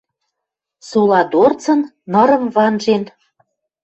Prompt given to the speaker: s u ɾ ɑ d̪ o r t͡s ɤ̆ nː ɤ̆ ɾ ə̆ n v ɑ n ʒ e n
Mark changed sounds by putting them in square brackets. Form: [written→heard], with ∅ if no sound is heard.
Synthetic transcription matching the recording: s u [ɾ→l] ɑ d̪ o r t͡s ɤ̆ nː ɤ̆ ɾ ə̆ [n→m] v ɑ n ʒ e n